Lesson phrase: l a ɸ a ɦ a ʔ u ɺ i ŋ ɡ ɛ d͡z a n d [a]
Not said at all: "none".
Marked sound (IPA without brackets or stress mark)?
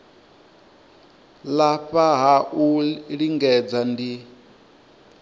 i